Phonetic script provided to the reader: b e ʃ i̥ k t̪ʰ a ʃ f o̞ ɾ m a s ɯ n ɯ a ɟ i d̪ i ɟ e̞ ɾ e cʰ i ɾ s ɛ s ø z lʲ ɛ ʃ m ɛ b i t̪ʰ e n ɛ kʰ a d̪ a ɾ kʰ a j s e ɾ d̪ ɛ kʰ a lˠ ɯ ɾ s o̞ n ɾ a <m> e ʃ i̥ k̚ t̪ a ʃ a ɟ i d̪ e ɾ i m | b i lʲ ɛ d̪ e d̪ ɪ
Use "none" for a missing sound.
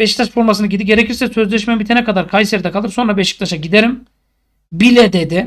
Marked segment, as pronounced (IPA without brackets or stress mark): b